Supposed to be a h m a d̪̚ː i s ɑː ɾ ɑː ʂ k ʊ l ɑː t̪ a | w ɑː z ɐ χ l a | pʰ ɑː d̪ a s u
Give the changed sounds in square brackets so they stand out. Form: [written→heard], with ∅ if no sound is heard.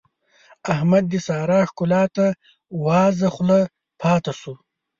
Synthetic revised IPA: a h m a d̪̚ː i s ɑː ɾ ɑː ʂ k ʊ l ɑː t̪ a | w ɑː z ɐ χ l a | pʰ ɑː [d̪→t̪] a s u